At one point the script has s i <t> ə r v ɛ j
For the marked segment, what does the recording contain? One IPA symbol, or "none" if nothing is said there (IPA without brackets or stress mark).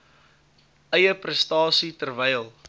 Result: t